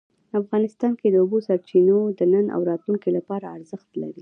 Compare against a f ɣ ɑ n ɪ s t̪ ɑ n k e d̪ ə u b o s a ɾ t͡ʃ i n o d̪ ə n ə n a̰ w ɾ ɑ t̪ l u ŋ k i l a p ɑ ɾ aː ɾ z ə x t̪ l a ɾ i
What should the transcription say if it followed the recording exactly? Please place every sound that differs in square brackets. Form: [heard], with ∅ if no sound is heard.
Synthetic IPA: a f ɣ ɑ n ɪ s t̪ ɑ n k e d̪ ə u b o s a ɾ t͡ʃ i n o d̪ ə n ə n a̰ w ɾ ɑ t̪ l u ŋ k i l a p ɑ ɾ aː ɾ z ə x t̪ l a ɾ i